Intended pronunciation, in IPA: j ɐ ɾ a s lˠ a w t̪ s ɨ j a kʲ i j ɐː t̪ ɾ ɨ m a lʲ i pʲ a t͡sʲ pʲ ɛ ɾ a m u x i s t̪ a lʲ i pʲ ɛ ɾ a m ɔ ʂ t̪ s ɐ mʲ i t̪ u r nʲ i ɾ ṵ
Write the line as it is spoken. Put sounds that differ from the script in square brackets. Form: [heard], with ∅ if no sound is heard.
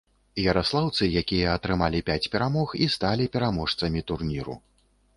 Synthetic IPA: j ɐ ɾ a s lˠ a w t̪ s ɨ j a kʲ i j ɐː t̪ ɾ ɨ m a lʲ i pʲ a t͡sʲ pʲ ɛ ɾ a m [ɔ] x i s t̪ a lʲ i pʲ ɛ ɾ a m ɔ ʂ t̪ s ɐ mʲ i t̪ u r nʲ i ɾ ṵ